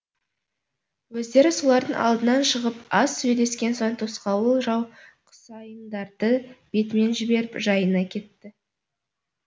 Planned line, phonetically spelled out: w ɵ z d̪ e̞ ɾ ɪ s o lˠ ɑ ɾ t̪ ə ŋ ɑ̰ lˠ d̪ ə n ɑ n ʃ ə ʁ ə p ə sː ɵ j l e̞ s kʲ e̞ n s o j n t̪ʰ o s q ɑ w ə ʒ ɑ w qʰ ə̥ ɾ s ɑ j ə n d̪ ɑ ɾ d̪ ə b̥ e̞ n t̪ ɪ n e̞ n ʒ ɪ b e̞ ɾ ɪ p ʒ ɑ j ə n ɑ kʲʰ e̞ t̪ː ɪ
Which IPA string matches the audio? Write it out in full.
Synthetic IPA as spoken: w ɵ z d̪ e̞ ɾ ɪ s o lˠ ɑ ɾ d̪ ə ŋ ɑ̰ lˠ d̪ ə n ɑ n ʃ ə ʁ ə p ɑ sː ɵ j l e̞ s kʲ e̞ n s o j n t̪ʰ o s q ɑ w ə ʒ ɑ w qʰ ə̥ s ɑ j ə n d̪ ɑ ɾ d̪ ə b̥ e̞ t̪ ɪ m e̞ n ʒ ɪ b e̞ ɾ ɪ p ʒ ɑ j ə n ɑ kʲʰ e̞ t̪ː ɪ